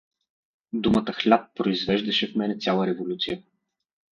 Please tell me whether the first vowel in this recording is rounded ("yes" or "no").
yes